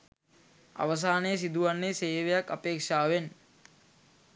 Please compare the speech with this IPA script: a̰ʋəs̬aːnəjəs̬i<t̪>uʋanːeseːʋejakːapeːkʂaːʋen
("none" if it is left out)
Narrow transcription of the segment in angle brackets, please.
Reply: d̪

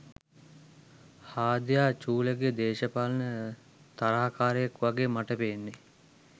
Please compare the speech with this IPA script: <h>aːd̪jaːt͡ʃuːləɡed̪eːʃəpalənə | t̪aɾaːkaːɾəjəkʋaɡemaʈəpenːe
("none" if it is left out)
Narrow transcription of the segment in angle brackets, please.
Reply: h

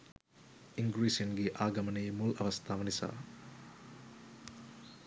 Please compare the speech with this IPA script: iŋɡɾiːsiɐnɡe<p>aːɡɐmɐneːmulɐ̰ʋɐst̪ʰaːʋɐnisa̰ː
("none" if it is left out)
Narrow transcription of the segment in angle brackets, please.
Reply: ʔ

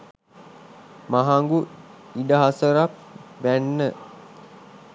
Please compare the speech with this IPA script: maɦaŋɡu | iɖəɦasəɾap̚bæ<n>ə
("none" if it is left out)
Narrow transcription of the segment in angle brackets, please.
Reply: nː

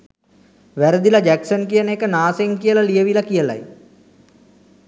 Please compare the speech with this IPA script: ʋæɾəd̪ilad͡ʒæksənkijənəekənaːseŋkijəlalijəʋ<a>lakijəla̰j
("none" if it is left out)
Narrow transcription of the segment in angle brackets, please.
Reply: i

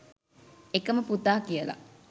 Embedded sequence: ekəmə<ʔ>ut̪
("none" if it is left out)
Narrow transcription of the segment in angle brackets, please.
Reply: p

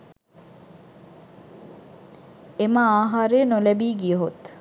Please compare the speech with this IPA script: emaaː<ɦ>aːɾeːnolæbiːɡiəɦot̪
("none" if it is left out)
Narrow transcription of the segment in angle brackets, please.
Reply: ɦ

